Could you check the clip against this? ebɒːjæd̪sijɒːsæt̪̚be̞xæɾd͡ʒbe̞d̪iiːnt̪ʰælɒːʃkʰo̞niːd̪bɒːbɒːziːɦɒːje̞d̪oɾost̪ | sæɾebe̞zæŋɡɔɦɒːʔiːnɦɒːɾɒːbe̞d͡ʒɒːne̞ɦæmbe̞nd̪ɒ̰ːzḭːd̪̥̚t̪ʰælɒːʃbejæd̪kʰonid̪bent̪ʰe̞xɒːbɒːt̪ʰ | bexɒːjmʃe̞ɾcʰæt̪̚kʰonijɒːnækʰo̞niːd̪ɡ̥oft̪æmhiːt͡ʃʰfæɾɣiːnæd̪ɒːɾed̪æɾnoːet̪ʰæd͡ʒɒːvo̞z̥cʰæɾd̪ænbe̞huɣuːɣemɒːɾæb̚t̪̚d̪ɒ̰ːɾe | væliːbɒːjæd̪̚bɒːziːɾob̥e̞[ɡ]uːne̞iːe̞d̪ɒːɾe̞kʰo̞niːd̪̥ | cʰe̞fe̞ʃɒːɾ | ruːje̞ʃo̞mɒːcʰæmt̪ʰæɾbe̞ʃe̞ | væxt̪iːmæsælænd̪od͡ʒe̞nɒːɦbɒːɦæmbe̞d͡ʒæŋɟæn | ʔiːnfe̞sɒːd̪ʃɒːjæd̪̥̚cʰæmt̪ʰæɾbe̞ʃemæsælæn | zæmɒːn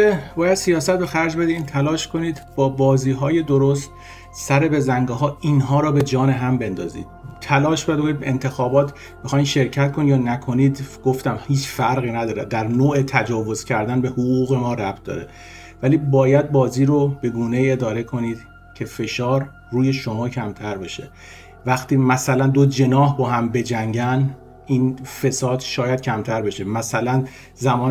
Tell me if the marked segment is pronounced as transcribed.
yes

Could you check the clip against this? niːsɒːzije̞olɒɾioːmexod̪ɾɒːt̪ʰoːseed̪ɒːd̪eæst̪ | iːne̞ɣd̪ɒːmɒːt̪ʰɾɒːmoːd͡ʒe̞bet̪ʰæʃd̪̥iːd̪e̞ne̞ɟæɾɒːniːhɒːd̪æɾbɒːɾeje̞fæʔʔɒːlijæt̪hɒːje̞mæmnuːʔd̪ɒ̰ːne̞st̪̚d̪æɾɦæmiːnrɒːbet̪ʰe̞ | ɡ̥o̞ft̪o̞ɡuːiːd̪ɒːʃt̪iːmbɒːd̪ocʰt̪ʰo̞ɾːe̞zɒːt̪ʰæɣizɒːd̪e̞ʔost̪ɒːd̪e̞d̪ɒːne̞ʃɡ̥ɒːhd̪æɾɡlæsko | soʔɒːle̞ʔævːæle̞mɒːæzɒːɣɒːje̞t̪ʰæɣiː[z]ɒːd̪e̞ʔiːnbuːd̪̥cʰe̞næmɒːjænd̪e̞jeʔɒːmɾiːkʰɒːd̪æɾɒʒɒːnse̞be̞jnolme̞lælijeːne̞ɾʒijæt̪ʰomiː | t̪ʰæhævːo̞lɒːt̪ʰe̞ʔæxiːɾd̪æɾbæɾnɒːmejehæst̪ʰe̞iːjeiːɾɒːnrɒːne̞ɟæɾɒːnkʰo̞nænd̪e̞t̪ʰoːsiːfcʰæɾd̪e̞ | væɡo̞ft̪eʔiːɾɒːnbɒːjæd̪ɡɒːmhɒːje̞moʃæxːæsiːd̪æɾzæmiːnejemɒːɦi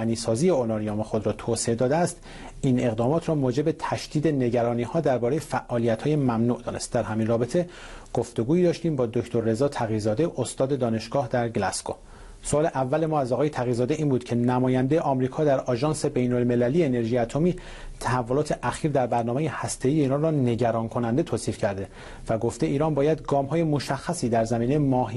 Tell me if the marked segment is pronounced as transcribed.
yes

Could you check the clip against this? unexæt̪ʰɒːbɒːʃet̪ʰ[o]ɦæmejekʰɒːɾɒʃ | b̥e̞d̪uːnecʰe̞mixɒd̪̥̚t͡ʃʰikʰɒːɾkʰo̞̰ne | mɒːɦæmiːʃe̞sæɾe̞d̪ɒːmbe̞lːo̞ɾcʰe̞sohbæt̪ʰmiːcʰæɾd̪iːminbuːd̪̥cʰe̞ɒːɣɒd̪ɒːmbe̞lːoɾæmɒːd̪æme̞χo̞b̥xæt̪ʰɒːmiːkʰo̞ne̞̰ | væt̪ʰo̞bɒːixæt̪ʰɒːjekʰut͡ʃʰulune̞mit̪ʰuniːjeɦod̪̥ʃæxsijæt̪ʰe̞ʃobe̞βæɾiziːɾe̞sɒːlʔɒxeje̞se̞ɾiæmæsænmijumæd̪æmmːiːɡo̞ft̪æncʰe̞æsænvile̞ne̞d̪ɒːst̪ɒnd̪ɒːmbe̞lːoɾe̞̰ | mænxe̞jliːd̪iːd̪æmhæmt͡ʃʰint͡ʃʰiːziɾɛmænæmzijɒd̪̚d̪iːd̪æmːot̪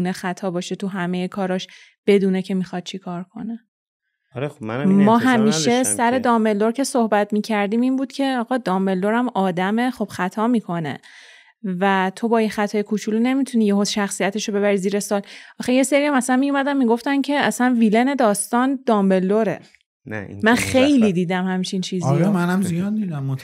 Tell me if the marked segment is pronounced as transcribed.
no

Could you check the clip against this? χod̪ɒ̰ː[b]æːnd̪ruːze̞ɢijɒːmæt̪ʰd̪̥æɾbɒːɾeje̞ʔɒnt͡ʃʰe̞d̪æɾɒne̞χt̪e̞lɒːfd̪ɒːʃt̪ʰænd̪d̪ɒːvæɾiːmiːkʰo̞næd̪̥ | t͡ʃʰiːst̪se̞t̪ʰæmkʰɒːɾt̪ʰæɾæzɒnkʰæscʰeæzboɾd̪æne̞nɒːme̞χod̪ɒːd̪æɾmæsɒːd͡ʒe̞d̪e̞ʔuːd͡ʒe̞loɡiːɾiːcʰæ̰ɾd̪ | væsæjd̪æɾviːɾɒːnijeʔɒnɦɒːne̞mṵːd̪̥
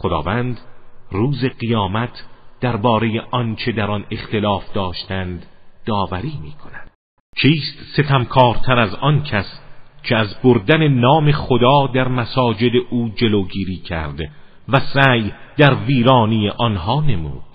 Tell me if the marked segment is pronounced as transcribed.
no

